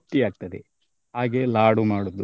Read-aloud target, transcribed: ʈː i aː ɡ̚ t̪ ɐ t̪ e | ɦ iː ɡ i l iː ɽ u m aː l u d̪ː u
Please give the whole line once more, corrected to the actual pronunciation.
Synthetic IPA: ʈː i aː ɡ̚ t̪ ɐ d̪ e | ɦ aː ɡ e l aː ɽ u m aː ɽ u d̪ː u